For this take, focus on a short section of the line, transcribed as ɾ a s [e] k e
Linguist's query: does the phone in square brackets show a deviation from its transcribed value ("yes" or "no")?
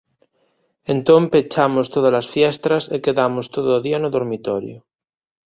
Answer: no